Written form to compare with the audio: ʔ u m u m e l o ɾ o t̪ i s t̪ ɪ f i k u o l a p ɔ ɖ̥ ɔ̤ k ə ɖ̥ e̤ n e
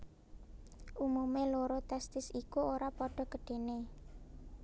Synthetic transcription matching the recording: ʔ u m u m e l o ɾ o t̪ ɛ s t̪ ɪ s i k u o ɾ a p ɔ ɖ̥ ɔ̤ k ə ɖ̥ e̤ n e